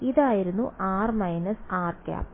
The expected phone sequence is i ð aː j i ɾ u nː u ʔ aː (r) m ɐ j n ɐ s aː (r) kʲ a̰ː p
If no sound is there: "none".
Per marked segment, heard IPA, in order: r, r

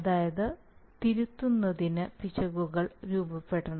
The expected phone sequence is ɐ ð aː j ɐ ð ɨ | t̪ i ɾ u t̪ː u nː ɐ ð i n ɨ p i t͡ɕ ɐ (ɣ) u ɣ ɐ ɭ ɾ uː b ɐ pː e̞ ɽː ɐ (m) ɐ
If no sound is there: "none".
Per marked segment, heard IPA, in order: ɣ, ɳ

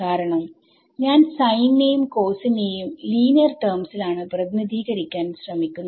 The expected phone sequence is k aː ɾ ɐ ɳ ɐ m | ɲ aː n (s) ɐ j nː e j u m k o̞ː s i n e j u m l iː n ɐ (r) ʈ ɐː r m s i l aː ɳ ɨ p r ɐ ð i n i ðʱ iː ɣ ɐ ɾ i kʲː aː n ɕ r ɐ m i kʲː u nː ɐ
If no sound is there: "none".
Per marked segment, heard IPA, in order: s, r

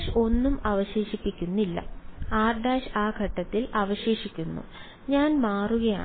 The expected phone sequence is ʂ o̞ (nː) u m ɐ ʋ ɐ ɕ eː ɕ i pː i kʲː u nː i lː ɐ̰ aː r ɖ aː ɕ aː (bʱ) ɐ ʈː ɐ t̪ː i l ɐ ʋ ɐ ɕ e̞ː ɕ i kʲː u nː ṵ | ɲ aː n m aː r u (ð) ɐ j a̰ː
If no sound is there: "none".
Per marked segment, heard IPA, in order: nː, ɡʱ, ɣ

